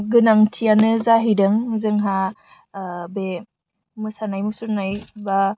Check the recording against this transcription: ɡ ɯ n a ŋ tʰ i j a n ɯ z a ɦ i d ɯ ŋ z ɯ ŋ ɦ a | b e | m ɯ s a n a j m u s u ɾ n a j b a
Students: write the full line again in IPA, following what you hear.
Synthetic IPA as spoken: ɡ ɯ n a ŋ tʰ i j a n ɯ z a ɦ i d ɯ ŋ z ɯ ŋ ɦ a | b e | m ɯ s a n a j m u s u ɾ n a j b a